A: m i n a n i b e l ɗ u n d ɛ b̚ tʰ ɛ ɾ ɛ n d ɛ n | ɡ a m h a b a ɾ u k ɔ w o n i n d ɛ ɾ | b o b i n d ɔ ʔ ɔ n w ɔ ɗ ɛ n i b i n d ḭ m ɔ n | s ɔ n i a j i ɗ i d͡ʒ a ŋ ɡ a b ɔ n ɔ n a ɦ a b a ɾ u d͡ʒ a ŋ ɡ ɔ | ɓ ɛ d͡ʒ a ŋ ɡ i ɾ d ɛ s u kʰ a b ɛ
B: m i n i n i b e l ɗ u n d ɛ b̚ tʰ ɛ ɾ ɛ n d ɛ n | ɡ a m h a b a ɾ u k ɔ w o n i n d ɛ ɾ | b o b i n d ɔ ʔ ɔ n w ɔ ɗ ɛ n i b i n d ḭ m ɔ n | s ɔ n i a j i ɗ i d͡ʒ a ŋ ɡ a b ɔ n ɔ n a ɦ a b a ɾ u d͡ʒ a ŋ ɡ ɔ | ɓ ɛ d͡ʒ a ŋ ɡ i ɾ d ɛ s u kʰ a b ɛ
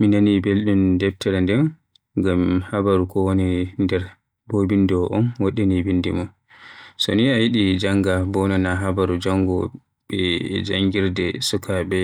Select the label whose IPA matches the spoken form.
A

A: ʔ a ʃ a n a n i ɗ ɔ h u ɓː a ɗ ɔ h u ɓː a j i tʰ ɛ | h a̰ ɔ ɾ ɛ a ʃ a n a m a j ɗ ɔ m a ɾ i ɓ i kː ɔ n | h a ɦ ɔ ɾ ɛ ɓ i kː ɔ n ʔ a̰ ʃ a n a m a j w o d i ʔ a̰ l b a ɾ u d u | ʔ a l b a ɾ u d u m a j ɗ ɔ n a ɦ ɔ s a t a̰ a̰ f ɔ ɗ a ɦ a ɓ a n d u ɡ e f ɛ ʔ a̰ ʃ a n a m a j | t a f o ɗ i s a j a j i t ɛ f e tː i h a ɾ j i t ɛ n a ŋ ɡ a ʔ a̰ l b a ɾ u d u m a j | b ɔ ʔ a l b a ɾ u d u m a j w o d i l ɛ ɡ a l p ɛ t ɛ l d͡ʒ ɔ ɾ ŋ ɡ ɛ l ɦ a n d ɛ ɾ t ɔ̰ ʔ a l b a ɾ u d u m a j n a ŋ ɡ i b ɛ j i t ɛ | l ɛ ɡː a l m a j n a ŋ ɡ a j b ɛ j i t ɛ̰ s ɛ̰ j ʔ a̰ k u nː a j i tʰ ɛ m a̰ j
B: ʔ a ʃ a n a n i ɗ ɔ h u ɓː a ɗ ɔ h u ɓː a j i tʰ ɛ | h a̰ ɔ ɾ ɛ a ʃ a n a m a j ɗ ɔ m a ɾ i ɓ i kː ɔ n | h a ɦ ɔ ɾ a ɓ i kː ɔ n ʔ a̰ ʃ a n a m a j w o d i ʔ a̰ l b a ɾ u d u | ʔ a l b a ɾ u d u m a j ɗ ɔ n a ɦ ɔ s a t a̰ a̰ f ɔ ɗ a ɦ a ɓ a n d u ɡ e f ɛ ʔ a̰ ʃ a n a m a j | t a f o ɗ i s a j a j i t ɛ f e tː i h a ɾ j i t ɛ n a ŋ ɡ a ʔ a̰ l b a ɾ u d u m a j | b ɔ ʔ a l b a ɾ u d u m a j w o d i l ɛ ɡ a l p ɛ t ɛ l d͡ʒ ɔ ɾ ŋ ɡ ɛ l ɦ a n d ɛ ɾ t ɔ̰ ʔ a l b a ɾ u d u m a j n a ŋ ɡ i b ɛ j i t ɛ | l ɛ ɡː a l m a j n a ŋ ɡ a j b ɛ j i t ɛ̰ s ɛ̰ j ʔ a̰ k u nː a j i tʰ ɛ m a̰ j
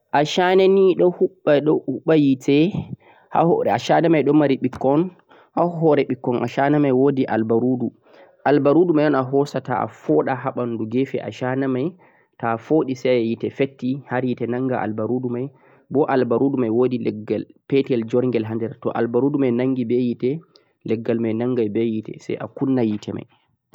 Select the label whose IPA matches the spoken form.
A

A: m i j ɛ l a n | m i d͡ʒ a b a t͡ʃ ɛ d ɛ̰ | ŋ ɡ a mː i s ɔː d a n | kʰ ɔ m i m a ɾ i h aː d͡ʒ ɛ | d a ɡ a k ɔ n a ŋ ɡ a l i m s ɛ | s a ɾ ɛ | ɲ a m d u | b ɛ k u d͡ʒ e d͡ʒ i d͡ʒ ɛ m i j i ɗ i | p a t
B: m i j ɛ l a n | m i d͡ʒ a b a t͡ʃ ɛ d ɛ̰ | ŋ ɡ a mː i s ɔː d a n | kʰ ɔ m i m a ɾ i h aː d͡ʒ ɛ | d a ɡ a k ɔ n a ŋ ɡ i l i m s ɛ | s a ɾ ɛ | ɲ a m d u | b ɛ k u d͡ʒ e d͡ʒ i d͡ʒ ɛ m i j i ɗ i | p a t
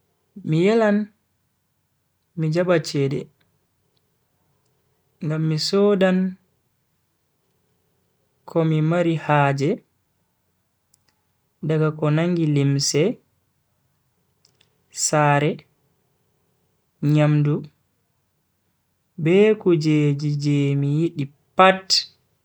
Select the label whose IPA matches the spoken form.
B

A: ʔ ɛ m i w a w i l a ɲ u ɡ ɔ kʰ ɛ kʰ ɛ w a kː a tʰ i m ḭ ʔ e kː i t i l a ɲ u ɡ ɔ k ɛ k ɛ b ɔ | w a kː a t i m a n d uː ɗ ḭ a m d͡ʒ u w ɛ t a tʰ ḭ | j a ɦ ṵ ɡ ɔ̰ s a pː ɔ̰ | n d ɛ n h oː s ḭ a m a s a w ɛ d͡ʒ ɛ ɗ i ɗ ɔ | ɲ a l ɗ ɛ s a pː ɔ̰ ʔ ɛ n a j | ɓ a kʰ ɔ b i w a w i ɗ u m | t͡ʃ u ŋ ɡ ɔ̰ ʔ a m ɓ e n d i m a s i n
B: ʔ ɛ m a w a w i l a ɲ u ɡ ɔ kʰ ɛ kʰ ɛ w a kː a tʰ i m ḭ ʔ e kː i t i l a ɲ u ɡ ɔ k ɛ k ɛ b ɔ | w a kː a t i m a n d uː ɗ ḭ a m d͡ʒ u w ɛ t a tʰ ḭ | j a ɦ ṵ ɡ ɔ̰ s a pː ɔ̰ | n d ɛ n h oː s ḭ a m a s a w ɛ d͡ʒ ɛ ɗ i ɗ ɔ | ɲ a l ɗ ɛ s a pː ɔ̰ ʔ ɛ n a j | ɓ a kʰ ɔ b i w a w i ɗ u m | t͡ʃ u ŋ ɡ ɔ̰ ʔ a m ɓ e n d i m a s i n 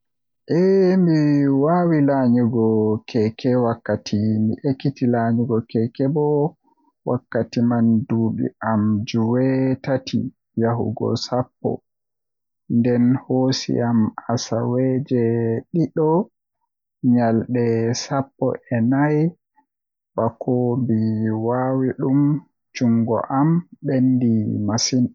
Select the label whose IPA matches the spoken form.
A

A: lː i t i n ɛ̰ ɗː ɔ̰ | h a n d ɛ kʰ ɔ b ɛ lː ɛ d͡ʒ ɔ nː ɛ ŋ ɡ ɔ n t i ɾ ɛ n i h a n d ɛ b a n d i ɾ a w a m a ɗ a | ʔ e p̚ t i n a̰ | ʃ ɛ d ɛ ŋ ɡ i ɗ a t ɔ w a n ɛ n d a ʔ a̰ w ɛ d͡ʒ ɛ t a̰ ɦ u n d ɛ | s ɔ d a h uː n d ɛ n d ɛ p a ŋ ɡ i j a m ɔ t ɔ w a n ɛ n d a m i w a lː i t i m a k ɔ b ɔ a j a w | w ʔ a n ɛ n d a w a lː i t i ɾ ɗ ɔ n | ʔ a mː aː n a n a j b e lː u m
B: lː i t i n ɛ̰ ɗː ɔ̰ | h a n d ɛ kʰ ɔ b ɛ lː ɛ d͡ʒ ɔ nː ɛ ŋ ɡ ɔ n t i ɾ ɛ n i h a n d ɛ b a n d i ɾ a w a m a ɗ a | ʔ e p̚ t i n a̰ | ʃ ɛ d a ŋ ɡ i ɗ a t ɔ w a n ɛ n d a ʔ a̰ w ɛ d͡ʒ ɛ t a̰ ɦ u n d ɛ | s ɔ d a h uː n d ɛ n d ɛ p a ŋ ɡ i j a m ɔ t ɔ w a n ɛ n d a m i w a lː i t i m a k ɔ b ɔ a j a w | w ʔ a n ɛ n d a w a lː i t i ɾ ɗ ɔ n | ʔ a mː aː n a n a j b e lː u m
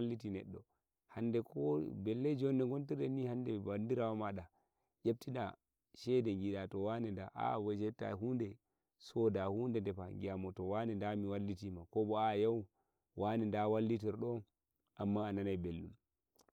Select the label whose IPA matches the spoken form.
A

